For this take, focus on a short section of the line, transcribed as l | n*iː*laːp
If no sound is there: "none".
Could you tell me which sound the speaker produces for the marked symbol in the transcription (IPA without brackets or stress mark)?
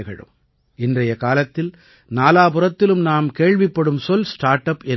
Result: aː